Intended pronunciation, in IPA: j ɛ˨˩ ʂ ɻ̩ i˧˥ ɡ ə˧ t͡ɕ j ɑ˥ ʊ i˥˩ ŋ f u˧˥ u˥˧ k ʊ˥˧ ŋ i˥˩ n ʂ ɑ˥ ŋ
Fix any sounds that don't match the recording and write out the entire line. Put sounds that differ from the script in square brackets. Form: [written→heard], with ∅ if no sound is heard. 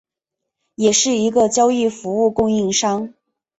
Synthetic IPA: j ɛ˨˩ ʂ ɻ̩ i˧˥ ɡ ə˧ t͡ɕ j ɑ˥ ʊ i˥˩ [ŋ→∅] f u˧˥ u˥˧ k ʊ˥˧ ŋ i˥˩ [n→ŋ] ʂ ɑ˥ ŋ